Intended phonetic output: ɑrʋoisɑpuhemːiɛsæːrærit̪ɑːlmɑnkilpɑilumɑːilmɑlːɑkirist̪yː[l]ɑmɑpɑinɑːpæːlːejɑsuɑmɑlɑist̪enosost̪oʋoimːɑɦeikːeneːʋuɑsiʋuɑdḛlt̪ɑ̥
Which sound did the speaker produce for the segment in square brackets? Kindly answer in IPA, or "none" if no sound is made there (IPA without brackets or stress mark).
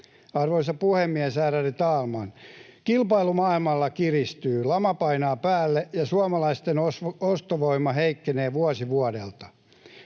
l